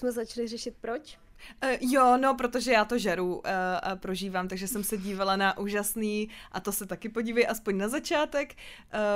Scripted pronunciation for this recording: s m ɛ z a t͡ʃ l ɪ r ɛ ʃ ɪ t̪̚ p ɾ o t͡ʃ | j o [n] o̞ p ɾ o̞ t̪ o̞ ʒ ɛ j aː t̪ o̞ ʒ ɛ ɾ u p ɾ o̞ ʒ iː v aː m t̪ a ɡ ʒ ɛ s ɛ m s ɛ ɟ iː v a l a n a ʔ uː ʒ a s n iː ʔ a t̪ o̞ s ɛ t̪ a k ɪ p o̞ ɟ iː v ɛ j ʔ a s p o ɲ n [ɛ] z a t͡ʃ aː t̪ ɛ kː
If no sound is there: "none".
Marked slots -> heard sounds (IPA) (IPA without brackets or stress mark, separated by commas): n, a